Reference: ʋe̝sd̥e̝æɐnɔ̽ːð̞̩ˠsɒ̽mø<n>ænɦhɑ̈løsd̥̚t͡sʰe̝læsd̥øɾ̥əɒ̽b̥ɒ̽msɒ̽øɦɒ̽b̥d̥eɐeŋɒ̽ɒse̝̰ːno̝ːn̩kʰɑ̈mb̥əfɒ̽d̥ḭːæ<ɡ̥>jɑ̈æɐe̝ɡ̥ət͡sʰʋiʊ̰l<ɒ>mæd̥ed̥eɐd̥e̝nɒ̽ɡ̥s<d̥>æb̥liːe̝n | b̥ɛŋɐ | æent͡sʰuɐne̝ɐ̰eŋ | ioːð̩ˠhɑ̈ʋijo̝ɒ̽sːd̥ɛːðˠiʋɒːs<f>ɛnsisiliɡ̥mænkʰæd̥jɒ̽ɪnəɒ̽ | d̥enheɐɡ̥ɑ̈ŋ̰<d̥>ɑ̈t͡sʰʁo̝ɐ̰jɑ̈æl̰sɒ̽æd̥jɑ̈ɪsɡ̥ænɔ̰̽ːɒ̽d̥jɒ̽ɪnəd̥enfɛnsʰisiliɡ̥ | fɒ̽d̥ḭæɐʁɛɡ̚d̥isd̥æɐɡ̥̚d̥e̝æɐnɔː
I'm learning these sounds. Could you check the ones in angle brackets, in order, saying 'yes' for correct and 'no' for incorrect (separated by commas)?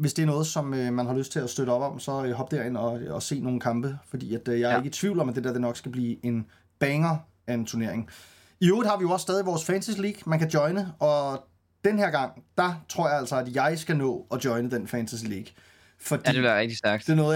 no, no, yes, no, yes, yes